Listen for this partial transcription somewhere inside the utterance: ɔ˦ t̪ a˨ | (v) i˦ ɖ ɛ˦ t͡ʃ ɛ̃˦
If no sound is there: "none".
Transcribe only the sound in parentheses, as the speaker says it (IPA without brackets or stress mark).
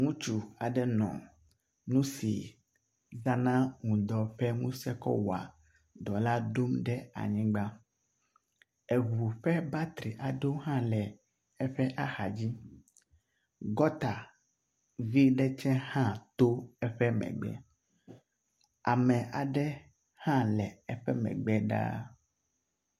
v